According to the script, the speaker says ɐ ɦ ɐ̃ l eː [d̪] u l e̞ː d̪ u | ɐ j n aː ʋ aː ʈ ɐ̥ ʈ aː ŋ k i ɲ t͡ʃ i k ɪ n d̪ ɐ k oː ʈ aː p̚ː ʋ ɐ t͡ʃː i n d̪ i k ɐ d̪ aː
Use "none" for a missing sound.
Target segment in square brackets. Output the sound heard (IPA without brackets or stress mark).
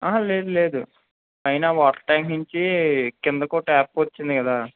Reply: d̪